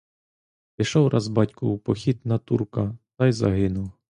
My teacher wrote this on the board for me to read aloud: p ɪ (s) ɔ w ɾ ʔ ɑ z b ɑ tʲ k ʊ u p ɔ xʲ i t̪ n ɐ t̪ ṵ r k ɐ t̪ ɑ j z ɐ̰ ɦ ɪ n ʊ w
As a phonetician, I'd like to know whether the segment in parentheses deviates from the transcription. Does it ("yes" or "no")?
yes